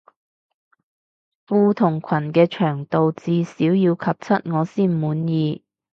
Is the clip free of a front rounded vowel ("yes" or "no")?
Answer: no